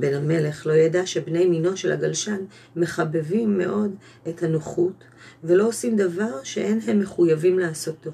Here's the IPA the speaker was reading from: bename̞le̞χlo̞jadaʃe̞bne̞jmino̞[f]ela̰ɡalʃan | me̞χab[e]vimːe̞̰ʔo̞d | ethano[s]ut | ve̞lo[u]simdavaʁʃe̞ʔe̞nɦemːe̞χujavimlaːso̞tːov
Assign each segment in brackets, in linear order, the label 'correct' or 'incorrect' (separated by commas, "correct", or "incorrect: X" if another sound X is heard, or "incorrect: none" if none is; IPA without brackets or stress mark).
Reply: incorrect: ʃ, correct, incorrect: χ, incorrect: o